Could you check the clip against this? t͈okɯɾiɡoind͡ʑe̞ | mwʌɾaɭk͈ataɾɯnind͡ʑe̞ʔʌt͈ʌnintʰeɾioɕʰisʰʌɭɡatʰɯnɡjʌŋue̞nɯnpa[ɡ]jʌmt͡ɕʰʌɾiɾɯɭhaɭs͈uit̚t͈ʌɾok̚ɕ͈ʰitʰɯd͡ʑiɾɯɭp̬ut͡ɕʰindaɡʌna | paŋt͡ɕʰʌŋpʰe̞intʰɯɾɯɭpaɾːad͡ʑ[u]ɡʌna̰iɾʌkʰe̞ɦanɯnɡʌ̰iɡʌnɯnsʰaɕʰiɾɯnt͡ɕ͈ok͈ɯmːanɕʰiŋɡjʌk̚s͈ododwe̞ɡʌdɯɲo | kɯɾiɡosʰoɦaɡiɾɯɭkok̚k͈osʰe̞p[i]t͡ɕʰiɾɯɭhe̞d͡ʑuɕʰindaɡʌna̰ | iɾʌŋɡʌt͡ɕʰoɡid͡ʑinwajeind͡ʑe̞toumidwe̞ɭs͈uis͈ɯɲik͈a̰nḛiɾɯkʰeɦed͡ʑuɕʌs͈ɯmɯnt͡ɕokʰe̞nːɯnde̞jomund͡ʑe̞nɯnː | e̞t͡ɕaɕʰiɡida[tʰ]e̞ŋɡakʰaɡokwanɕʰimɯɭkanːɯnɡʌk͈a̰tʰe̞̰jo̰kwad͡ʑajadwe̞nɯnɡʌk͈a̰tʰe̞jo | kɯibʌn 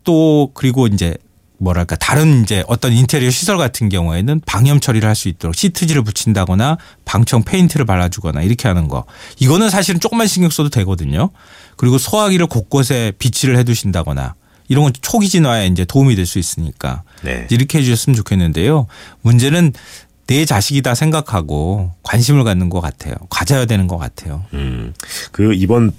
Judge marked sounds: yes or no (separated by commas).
no, yes, yes, no